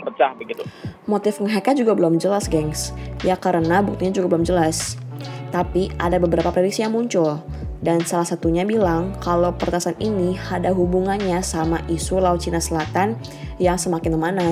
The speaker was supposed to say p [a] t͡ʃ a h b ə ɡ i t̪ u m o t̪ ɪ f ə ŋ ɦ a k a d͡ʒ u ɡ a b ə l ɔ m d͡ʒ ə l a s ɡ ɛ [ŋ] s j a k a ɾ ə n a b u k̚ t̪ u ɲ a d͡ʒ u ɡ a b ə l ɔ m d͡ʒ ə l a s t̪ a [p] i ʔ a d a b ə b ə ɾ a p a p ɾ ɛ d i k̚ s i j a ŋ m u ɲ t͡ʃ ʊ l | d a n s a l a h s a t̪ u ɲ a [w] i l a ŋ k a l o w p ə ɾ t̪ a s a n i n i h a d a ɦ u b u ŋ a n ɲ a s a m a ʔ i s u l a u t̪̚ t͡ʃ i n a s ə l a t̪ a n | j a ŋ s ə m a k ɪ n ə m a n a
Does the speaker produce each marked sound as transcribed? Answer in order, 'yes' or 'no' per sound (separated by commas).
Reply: no, yes, yes, no